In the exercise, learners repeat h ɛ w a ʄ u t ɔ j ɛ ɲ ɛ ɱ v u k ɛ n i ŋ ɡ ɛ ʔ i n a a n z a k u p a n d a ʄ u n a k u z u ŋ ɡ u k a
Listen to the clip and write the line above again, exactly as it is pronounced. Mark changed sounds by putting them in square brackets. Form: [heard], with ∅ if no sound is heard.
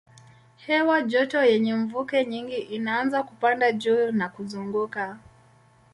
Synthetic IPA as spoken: h ɛ w a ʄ [ɔ] t ɔ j ɛ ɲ ɛ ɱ v u k ɛ [ɲ] i ŋ ɡ [i] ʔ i n a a n z a k u p a n d a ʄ u n a k u z u ŋ ɡ u k a